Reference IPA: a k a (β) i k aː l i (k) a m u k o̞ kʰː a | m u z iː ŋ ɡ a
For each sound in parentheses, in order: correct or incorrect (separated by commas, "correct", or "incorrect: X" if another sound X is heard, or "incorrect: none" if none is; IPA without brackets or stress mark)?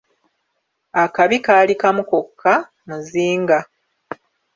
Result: correct, correct